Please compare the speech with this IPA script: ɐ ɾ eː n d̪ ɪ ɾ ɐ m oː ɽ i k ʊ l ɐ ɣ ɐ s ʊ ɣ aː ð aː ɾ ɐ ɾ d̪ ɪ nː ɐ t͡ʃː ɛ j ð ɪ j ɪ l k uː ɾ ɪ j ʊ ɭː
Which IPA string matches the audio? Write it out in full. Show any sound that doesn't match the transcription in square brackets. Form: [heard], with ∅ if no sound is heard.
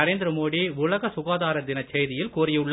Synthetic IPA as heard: ɐ ɾ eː n d̪ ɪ ɾ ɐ m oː ɽ i [∅] ʊ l ɐ ɣ ɐ s ʊ ɣ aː ð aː ɾ ɐ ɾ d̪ ɪ [n] ɐ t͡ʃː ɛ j ð ɪ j ɪ l k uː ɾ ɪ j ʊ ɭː